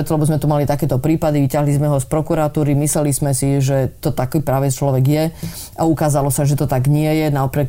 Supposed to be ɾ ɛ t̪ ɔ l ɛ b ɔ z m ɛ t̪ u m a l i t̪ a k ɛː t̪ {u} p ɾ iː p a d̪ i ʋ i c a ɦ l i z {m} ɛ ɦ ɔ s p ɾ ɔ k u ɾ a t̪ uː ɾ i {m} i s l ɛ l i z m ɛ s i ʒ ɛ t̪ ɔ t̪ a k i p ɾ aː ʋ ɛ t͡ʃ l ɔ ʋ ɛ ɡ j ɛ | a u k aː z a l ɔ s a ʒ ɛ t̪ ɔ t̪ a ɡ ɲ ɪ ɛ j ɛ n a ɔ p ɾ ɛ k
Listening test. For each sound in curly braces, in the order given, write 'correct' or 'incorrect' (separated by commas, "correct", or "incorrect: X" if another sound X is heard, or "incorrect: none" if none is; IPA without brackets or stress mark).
incorrect: ɔ, correct, correct